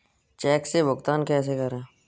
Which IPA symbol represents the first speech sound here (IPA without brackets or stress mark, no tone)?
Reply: t͡ʃ